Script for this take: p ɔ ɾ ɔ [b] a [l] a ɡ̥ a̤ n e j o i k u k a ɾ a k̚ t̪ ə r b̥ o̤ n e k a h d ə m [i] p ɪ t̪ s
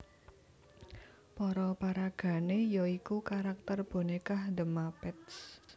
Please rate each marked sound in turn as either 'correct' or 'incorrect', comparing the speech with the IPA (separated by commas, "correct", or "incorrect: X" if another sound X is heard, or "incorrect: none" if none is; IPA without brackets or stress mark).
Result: incorrect: p, incorrect: ɾ, incorrect: a